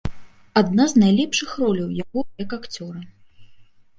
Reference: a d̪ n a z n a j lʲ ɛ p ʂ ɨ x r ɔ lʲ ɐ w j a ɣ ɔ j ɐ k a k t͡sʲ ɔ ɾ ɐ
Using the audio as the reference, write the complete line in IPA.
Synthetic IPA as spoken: a d̪ n a z n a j lʲ ɛ p ʂ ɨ x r ɔ lʲ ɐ w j a ɣ ɔ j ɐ k a k t͡sʲ ɔ ɾ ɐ